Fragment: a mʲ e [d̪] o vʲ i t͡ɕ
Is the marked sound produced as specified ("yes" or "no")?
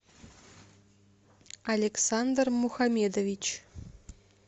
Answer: yes